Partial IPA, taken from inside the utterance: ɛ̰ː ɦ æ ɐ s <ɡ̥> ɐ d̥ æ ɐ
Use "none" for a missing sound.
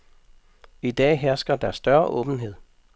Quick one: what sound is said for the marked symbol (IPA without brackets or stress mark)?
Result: ɡ̥